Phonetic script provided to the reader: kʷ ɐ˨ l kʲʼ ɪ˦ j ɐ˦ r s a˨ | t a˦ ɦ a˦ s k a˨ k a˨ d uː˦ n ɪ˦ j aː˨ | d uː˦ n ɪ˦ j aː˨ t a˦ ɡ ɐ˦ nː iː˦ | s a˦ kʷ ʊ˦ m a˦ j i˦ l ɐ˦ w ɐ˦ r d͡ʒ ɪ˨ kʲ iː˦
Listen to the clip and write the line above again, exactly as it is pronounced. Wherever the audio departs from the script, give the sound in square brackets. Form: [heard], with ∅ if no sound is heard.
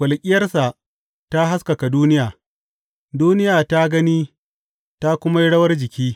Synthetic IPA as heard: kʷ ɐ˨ l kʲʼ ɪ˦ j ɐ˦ r s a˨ | t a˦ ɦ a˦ s k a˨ k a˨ d uː˦ n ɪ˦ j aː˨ | d uː˦ n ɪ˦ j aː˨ t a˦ ɡ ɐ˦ [n] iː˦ | [t] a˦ kʷ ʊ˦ m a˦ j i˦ [ɽ] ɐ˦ w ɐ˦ r d͡ʒ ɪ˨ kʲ iː˦